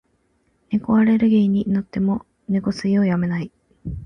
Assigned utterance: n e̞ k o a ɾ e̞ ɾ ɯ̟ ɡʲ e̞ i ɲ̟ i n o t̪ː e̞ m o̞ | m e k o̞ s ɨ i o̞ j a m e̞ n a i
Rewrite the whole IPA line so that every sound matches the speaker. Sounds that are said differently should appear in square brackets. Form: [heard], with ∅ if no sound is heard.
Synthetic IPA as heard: n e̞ k o a ɾ e̞ ɾ ɯ̟ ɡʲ e̞ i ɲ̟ i n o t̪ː e̞ m o̞ | [n] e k o̞ s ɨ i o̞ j a m e̞ n a i